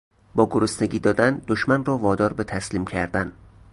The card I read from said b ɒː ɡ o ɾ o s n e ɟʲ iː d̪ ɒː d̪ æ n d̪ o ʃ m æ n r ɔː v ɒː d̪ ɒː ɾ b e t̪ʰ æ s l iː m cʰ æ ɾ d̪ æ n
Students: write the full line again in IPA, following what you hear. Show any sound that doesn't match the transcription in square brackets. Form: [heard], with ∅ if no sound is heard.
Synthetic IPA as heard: b ɒː ɡ o ɾ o s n e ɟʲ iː d̪ ɒː d̪ æ n d̪ o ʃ m æ n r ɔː v ɒː d̪ ɒː ɾ b e t̪ʰ æ s l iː m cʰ æ ɾ d̪ æ n

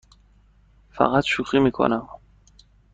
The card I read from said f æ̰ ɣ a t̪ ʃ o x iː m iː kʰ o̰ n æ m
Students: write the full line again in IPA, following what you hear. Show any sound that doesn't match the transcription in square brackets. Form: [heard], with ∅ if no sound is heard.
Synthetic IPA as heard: f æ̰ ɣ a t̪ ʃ [u] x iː m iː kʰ o̰ n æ m

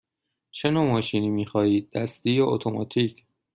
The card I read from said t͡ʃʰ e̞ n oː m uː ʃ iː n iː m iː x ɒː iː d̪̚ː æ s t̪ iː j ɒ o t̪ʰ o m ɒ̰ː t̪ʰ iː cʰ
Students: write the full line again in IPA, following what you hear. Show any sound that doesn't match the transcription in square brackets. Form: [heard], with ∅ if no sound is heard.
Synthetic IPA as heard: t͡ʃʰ e̞ n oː m [ɒː] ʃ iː n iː m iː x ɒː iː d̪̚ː æ s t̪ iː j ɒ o t̪ʰ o m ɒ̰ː t̪ʰ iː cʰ

